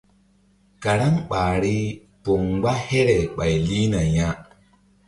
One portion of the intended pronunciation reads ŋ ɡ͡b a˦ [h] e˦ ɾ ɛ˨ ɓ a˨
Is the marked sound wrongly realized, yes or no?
no